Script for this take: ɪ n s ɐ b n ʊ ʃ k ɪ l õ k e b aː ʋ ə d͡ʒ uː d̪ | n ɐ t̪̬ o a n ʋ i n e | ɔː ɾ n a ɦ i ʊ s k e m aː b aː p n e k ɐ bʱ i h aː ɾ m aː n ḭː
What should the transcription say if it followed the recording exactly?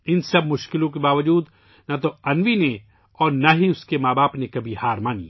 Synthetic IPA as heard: ɪ n s ɐ b m ʊ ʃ k ɪ l õ k e b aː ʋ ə d͡ʒ uː d̪ | n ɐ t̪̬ o ɐ n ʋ i n e | ɔː ɾ n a ɦ i ʊ s k e m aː b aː p n e k ɐ bʱ i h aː ɾ m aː n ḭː